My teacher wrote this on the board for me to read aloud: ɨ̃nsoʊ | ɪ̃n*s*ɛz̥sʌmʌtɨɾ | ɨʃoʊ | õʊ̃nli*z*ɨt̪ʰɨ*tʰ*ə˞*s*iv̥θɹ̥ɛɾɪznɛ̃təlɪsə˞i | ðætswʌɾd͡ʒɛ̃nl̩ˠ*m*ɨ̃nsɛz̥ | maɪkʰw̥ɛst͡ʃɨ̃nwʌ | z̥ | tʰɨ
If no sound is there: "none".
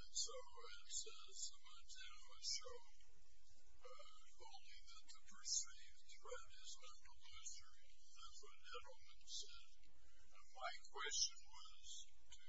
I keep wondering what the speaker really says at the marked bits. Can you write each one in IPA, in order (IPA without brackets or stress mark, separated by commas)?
s, ð, pʰ, s, m